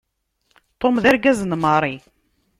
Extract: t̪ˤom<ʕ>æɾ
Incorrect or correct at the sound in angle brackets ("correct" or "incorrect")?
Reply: incorrect